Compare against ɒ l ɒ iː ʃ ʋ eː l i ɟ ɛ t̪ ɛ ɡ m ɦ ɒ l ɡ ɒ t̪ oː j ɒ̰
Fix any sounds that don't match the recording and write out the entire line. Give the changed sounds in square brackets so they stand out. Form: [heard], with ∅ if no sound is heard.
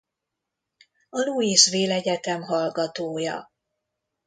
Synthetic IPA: ɒ l [u] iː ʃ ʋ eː l [ɛ] ɟ ɛ t̪ ɛ [∅] m ɦ ɒ l ɡ ɒ t̪ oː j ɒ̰